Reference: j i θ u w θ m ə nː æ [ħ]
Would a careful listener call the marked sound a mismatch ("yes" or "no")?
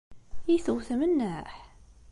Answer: no